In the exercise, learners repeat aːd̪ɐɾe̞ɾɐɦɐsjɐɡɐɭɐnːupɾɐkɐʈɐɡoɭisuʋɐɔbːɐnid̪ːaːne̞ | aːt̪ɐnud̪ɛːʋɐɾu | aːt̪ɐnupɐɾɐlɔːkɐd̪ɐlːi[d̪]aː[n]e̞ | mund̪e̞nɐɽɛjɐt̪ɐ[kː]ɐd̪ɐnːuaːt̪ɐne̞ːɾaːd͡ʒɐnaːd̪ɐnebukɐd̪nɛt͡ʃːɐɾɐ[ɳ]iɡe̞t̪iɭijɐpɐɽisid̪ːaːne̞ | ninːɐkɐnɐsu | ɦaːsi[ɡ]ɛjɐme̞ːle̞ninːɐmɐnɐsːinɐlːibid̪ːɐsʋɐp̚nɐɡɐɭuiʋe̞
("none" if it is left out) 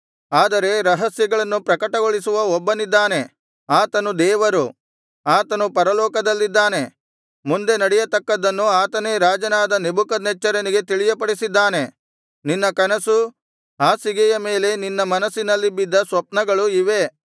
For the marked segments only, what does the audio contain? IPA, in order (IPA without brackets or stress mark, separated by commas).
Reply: d̪ː, n, kː, n, ɡ